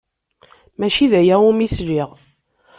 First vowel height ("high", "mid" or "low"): low